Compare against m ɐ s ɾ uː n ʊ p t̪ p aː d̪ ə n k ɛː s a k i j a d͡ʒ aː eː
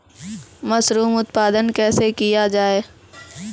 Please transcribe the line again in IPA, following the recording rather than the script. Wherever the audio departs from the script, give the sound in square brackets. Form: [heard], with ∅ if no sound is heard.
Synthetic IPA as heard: m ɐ s ɾ uː [m] ʊ [∅] t̪ p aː d̪ ə n k ɛː s [e] k i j a d͡ʒ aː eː